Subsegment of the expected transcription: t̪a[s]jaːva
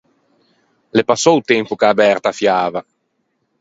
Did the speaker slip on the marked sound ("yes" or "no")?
yes